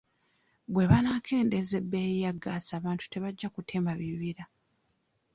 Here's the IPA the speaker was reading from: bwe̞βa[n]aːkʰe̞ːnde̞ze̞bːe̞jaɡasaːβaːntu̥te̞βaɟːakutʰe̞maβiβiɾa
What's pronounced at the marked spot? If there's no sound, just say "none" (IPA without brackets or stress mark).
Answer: n